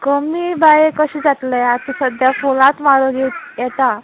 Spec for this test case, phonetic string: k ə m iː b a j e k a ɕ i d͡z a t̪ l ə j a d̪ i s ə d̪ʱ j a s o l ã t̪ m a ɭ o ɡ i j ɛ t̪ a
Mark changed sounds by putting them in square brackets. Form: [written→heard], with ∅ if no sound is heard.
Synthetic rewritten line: k ə m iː b a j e k [a→ə] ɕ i d͡z a t̪ l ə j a [d̪→t̪] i s ə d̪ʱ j a [s→f] o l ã t̪ m a [ɭ→ɾ] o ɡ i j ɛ t̪ a